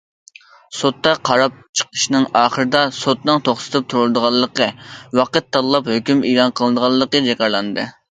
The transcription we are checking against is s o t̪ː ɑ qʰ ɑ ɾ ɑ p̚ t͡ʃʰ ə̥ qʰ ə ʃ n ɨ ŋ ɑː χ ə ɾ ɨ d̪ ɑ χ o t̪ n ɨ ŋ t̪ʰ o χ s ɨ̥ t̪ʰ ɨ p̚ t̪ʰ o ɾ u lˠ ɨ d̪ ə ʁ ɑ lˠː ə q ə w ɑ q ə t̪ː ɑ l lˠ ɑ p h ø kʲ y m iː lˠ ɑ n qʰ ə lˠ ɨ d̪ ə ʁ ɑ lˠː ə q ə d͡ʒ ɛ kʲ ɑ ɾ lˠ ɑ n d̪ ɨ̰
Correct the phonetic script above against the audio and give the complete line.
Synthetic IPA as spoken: s o t̪ː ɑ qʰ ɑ ɾ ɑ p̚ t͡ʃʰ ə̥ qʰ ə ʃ n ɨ ŋ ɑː χ ə ɾ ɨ d̪ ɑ s o t̪ n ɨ ŋ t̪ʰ o χ s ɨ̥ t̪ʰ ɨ p̚ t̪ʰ u ɾ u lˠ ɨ d̪ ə ʁ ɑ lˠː ə q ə w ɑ q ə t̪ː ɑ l lˠ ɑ p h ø kʲ y m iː lˠ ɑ n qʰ ə lˠ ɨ d̪ ə ʁ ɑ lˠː ə q ə d͡ʒ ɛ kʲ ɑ ɾ lˠ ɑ n d̪ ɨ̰